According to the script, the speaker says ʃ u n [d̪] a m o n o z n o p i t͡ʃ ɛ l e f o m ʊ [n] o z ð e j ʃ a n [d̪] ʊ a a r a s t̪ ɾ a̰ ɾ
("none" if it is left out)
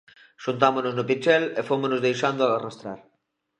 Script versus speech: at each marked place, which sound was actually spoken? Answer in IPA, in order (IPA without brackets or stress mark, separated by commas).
t̪, n, d̪